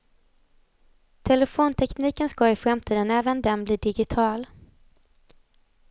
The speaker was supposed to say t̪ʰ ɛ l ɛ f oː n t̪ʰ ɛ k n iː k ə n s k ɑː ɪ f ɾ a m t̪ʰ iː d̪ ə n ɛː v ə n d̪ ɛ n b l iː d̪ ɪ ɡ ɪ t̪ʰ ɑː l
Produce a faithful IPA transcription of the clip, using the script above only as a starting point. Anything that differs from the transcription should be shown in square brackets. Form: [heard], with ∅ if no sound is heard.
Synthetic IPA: t̪ʰ ɛ l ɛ f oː n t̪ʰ ɛ k n iː k ə n s k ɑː ɪ f ɾ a m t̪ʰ iː d̪ ə n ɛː v ə n d̪ ɛ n b l iː d̪ ɪ ɡ ɪ t̪ʰ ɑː l

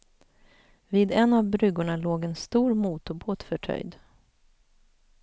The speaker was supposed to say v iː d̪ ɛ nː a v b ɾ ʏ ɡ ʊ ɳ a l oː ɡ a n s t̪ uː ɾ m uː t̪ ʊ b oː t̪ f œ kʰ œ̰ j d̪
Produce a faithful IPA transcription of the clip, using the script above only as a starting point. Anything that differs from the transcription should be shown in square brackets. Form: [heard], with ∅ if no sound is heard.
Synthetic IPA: v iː d̪ ɛ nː a v b ɾ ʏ ɡ ʊ ɳ a l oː ɡ [ɛ] n s t̪ uː ɾ m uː t̪ ʊ b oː t̪ f œ [ʈʰ] œ̰ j d̪

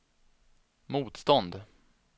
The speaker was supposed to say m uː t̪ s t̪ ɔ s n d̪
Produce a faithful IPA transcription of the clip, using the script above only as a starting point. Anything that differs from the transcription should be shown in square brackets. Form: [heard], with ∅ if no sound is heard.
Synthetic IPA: m uː t̪ s t̪ ɔ [∅] n d̪

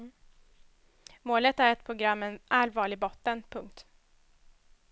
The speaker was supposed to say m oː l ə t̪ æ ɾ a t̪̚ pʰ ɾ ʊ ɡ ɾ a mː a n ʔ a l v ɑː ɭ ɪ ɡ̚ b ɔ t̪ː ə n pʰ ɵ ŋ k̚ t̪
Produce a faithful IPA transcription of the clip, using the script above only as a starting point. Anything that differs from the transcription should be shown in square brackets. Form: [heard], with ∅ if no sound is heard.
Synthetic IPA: m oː l ə t̪ æ ɾ [ɛ] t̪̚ pʰ ɾ ʊ ɡ ɾ a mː [ɛ] n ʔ a l v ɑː ɭ ɪ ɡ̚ b ɔ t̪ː ə n pʰ ɵ ŋ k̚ t̪

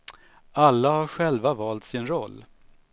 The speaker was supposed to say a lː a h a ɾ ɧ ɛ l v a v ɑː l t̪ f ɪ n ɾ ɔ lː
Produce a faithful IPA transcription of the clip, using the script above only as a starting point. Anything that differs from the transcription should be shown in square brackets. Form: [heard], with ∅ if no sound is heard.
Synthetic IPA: a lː a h a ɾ ɧ ɛ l v a v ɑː l t̪ [s] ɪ n ɾ ɔ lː

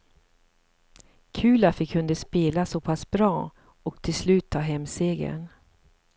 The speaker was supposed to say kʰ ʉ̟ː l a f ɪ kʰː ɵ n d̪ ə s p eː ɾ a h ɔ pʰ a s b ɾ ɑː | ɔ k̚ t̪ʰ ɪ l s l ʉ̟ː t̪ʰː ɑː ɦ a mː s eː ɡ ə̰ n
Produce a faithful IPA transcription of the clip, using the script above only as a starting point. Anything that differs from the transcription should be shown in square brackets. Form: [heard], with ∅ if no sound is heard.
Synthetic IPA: kʰ ʉ̟ː l a f ɪ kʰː ɵ n d̪ ə s p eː [l] a [s] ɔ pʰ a s b ɾ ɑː | ɔ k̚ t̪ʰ ɪ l s l ʉ̟ː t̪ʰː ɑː ɦ [ɛ] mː s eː ɡ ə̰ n

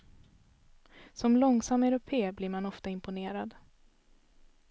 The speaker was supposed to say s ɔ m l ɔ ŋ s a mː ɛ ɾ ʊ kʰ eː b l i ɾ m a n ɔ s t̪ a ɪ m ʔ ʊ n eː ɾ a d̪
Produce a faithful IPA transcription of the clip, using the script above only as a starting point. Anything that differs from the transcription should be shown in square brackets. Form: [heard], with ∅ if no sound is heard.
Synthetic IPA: s ɔ m l ɔ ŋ s a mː ɛ ɾ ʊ [pʰ] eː b l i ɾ m a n ɔ [f] t̪ a ɪ m [p] ʊ n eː ɾ a d̪

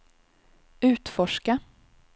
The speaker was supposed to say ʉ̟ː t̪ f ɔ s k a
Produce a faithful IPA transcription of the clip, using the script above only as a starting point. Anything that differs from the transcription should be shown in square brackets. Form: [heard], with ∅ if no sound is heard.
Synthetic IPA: ʉ̟ː t̪ f ɔ [ʂ] k a

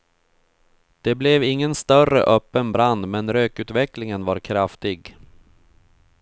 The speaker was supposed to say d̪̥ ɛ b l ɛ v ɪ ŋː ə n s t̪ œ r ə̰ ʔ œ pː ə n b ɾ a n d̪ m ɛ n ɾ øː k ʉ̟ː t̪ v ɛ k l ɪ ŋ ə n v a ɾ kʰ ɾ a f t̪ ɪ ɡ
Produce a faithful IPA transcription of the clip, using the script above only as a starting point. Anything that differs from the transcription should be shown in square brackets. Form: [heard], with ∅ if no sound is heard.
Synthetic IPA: d̪̥ ɛ b l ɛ v ɪ ŋː ə n s t̪ œ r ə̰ ʔ œ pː ə n b ɾ a n d̪ m ɛ n ɾ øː k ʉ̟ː t̪ v ɛ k l ɪ ŋ ə n v a ɾ kʰ ɾ a f t̪ ɪ ɡ

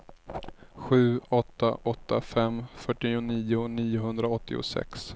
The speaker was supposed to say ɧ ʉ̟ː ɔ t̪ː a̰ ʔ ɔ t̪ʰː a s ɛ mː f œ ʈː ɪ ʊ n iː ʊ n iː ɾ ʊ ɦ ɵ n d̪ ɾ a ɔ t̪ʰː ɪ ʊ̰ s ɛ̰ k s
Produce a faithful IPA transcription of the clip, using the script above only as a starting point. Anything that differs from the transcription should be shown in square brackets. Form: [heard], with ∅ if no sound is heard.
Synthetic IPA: ɧ ʉ̟ː ɔ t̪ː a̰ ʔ ɔ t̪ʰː a [f] ɛ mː f œ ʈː ɪ ʊ n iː ʊ n iː [∅] ʊ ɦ ɵ n d̪ ɾ a ɔ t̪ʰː ɪ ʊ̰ s ɛ̰ k s

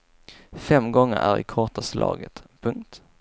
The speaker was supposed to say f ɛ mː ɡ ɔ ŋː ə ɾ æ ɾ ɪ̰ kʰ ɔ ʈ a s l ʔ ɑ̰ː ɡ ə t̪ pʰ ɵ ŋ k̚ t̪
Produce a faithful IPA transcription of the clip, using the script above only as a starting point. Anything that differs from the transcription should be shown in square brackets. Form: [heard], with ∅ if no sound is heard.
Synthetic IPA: f ɛ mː ɡ ɔ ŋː ə ɾ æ ɾ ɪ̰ kʰ ɔ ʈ a s l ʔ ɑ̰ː ɡ ə t̪ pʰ ɵ ŋ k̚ t̪

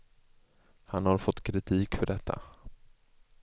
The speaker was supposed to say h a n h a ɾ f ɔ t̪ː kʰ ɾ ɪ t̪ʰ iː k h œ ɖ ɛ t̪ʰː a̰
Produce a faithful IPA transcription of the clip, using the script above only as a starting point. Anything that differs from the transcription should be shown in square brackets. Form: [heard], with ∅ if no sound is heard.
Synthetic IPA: h a n h a ɾ f ɔ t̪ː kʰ ɾ ɪ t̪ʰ iː k [f] œ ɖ ɛ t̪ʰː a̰

